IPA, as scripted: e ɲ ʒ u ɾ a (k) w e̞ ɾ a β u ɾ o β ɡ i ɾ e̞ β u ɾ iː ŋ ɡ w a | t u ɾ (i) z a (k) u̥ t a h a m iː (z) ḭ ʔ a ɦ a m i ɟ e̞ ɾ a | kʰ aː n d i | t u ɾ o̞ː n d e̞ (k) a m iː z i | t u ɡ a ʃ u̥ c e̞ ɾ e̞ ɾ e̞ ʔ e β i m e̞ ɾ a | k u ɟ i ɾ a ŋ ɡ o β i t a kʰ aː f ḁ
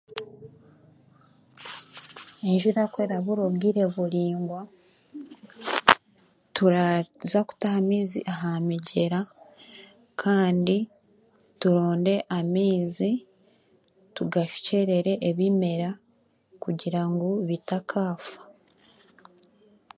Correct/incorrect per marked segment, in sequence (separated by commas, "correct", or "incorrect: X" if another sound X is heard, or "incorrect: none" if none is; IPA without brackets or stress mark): correct, incorrect: a, correct, correct, incorrect: ʔ